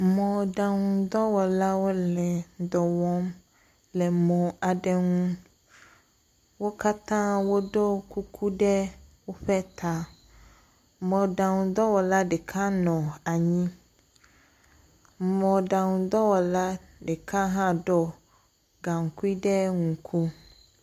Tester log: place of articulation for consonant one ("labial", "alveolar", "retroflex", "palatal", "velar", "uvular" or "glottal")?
labial